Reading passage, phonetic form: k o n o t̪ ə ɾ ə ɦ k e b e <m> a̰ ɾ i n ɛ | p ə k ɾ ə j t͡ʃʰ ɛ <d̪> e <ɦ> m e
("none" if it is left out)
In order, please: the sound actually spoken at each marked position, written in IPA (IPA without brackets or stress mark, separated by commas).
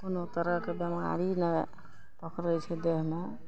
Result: m, d̪, ɦ